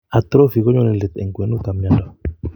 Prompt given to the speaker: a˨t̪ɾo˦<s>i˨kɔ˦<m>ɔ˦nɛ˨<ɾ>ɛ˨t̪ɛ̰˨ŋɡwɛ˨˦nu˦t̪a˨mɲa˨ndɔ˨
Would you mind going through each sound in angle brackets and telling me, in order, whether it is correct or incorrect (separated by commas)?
incorrect, incorrect, incorrect